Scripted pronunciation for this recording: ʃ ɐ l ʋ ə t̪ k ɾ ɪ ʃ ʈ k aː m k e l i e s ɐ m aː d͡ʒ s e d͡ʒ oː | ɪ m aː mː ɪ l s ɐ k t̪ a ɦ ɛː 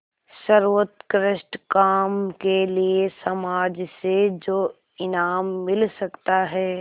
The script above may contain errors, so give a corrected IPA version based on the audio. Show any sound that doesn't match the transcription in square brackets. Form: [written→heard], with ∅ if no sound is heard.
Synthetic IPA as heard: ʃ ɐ [l→ɾ] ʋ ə t̪ k ɾ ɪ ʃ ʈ k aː m k e l i e s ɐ m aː d͡ʒ s e d͡ʒ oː | ɪ [m→n] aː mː ɪ l s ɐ k t̪ a ɦ ɛː